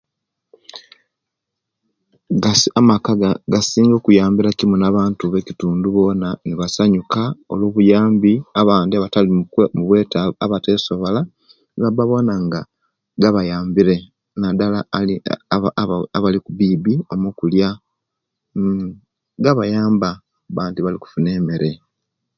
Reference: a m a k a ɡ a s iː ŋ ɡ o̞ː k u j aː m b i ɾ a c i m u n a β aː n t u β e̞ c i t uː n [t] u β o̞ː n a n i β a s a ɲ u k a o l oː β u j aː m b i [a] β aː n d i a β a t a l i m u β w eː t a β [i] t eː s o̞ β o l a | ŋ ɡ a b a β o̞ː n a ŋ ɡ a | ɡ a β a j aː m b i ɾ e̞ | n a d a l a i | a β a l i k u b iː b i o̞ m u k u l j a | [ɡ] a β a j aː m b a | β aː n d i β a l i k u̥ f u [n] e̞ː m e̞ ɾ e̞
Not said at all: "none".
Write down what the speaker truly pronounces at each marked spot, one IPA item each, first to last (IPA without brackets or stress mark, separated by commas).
d, a, a, ɡ, n